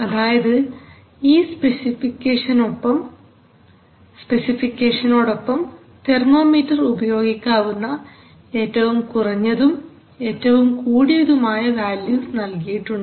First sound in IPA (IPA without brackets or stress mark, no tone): ɐ